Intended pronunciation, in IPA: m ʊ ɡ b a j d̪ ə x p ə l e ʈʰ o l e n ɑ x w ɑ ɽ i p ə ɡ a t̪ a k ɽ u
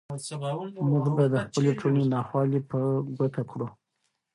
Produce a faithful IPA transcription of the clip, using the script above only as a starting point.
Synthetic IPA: m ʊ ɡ b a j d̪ ə x p ə l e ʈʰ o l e n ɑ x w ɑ l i p ə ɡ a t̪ a k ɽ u